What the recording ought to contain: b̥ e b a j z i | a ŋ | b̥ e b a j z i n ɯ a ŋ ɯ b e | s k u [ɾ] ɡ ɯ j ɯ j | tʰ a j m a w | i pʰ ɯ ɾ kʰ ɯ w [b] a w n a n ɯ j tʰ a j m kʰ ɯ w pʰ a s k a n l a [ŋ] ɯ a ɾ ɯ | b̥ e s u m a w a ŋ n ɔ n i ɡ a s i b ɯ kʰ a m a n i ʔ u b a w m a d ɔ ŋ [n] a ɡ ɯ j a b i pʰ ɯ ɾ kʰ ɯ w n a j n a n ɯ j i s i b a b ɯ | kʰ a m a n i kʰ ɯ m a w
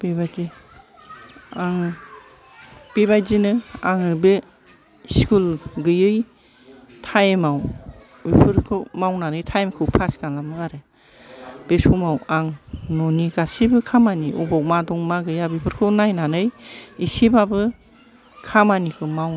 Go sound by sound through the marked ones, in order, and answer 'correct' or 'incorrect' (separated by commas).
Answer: incorrect, incorrect, incorrect, incorrect